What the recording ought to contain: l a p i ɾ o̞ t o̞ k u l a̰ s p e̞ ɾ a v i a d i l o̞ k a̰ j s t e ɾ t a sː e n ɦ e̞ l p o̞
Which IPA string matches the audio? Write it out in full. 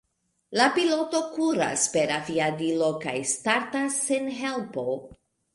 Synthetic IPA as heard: l a p i l o̞ t o̞ k u ɾ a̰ s p e̞ ɾ a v i a d i l o̞ k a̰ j s t a ɾ t a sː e n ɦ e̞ l p o̞